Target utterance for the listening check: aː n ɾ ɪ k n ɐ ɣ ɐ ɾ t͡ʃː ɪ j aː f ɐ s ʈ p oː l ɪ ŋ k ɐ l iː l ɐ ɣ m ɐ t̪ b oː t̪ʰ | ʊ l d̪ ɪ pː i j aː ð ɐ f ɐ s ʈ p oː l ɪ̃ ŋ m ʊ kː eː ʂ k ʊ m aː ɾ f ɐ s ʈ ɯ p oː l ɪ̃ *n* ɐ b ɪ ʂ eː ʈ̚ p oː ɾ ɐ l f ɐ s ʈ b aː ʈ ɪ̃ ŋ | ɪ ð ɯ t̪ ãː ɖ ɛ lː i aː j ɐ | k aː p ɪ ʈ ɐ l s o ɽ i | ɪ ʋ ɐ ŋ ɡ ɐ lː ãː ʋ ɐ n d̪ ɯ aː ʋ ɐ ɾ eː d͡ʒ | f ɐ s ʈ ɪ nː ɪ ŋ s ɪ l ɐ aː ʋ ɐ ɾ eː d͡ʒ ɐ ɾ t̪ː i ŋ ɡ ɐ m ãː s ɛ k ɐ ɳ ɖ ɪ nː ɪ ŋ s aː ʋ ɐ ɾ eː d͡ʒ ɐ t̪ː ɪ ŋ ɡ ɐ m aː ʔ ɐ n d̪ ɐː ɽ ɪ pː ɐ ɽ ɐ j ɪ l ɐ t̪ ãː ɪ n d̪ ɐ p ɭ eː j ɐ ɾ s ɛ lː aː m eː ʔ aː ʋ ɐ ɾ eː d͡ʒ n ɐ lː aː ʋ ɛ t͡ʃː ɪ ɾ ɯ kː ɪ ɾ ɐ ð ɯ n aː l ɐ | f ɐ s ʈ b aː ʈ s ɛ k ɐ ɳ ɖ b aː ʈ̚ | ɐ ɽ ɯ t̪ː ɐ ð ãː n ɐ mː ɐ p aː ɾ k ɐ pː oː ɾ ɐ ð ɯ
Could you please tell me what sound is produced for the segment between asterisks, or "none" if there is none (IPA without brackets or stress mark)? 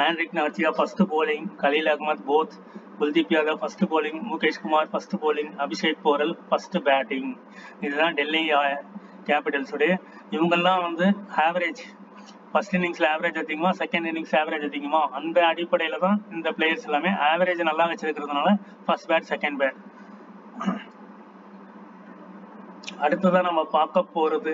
ŋ